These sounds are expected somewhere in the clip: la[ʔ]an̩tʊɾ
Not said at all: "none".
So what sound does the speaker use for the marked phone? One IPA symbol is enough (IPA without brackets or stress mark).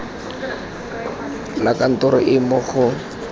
k